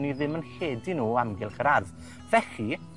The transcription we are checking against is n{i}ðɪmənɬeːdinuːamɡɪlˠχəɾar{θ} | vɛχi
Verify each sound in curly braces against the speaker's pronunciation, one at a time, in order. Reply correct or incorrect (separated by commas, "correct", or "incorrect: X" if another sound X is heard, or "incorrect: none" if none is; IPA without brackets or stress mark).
correct, incorrect: ð